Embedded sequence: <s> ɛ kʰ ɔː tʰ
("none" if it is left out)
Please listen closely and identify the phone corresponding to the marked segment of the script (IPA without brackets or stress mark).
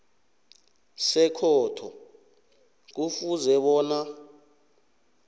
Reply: s